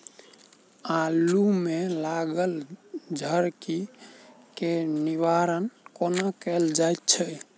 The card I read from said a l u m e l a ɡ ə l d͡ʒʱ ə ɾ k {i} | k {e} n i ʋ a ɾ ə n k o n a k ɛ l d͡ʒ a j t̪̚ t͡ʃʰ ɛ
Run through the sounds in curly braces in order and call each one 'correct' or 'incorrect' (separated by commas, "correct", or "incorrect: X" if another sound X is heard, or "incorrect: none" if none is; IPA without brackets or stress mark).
correct, correct